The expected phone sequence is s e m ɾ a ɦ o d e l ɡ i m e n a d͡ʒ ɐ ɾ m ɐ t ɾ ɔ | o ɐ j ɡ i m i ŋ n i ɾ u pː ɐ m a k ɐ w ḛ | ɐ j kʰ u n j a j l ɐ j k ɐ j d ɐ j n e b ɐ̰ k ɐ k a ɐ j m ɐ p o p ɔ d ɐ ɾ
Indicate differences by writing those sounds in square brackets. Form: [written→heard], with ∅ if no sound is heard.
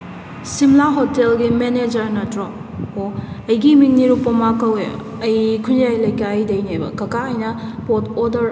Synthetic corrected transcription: s [e→i] m [ɾ→l] a ɦ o [d→t] e l ɡ i m e n [a→e] d͡ʒ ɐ ɾ [m→n] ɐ t ɾ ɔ | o ɐ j ɡ i m i ŋ n i ɾ u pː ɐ m a k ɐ w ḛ | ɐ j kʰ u n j a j l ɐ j k [ɐ→a] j d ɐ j n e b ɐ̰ k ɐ k a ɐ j [m→n] ɐ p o [p→t] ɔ d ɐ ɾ